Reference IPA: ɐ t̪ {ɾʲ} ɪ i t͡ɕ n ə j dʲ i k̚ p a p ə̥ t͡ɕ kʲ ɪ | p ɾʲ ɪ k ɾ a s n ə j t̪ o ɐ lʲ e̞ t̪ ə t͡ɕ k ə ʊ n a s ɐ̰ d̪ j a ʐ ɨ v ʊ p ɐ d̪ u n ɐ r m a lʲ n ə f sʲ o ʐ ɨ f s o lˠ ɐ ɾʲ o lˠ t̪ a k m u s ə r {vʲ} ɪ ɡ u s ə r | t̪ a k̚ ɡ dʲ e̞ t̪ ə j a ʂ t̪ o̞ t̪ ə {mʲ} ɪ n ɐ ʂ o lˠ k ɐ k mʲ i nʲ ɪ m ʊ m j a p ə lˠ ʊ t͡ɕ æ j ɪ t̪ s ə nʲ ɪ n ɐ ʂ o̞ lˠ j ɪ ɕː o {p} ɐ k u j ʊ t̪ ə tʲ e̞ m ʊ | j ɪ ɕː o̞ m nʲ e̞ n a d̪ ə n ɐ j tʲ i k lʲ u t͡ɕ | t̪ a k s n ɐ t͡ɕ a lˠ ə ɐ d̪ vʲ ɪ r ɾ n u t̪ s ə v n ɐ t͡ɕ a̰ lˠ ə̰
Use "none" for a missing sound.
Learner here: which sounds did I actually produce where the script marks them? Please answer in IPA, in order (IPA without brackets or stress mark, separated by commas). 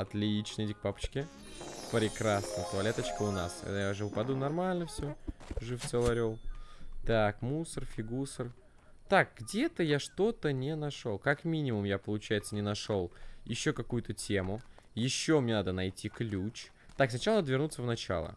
lʲ, fʲ, nʲ, k